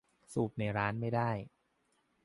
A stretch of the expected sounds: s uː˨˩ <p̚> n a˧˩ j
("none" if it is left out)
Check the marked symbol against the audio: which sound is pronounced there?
p̚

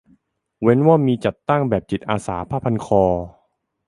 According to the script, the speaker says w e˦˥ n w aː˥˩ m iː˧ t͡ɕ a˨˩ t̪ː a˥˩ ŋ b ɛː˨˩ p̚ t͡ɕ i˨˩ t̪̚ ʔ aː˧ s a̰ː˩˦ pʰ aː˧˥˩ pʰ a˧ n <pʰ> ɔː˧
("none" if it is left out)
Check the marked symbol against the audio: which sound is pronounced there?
kʰ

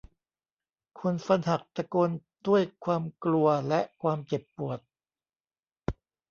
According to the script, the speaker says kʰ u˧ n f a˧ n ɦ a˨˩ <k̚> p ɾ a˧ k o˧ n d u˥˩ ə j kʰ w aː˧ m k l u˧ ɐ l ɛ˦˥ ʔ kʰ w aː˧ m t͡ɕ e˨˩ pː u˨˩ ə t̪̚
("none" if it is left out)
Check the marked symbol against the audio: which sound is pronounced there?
k̚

